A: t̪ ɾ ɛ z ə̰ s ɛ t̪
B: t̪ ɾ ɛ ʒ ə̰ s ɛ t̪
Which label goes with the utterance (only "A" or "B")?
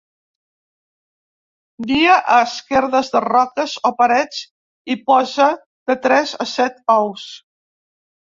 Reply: A